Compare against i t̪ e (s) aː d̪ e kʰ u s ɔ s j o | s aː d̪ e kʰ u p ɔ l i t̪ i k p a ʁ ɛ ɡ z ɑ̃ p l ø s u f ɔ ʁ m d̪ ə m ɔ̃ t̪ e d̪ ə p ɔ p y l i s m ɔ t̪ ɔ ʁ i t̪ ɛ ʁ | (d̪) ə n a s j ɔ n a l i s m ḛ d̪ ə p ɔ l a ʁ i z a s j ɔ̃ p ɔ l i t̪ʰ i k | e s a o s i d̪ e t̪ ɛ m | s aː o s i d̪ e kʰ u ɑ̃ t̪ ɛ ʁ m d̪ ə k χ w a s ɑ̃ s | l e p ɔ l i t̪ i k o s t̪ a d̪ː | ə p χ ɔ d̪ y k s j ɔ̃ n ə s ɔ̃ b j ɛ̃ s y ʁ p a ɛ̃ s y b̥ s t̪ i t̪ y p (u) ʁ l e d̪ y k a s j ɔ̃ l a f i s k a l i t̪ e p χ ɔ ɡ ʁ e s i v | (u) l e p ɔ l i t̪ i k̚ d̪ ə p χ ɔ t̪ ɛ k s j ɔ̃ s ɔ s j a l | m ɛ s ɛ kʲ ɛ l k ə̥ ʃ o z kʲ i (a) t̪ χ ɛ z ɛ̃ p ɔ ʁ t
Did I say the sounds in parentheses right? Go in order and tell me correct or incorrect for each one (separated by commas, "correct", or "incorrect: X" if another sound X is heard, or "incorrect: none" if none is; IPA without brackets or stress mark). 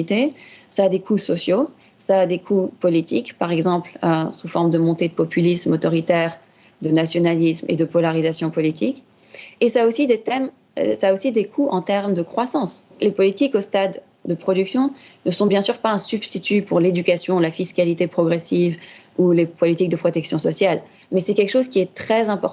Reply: correct, correct, correct, correct, incorrect: ɛ